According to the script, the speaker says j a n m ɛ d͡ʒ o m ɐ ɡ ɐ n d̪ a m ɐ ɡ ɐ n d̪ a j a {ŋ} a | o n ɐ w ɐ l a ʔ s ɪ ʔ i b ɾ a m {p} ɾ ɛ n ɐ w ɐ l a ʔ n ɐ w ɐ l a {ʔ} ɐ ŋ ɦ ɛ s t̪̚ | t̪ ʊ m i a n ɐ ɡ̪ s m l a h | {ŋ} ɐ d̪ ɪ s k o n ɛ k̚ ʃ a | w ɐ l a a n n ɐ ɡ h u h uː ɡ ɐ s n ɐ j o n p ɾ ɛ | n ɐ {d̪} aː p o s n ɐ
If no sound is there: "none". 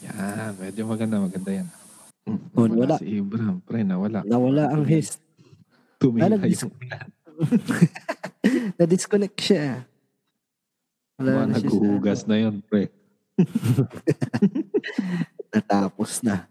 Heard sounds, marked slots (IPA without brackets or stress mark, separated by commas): n, p, ʔ, n, t̪